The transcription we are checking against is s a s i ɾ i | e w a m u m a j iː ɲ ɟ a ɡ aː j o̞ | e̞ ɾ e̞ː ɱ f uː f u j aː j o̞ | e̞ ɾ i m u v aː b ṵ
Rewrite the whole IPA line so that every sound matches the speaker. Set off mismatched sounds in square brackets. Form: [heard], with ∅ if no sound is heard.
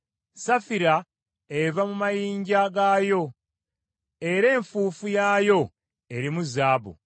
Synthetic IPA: s a [f] i ɾ [a] | e [v] a m u m a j iː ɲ ɟ a ɡ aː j o̞ | e̞ ɾ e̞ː ɱ f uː f u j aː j o̞ | e̞ ɾ i m u [z] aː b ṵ